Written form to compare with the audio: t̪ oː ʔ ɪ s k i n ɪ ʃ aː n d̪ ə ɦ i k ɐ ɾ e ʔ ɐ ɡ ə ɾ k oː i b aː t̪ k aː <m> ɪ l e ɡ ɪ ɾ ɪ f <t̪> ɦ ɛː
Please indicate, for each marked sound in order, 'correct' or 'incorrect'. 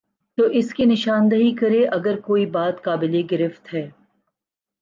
incorrect: b, correct

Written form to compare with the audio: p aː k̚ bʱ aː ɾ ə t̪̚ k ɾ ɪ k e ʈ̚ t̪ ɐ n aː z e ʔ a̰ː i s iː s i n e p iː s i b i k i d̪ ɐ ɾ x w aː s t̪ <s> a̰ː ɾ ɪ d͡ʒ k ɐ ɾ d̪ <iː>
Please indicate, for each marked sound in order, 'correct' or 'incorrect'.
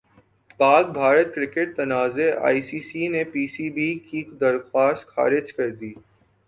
incorrect: x, correct

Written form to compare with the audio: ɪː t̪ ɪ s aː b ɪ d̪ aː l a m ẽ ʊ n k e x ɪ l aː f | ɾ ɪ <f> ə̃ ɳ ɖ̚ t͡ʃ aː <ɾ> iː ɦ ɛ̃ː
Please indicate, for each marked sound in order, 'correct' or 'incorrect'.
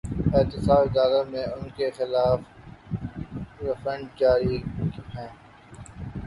correct, correct

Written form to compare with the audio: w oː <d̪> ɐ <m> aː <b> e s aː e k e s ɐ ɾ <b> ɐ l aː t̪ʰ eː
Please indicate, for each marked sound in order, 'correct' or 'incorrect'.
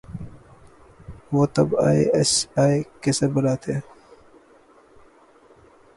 incorrect: t̪, incorrect: b, incorrect: none, correct

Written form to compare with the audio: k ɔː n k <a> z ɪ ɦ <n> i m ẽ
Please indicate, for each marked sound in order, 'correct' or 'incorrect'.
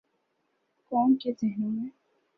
incorrect: e, correct

